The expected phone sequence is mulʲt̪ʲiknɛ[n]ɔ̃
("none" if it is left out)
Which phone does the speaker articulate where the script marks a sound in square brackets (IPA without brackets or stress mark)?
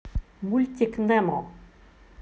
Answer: m